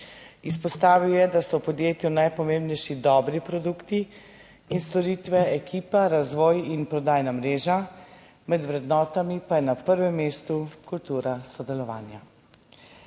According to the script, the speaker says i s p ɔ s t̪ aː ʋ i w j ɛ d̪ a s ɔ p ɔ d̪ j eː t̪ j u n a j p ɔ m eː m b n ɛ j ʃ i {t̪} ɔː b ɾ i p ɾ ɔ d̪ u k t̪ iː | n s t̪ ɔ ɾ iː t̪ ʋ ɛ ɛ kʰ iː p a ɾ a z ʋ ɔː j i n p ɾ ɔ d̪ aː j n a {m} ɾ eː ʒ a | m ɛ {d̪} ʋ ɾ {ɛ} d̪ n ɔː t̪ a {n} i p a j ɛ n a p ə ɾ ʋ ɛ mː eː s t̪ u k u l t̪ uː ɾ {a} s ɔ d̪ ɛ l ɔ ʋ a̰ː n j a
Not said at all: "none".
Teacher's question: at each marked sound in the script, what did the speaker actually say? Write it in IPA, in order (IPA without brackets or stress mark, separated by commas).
d̪, m, d̪, ɛ, m, a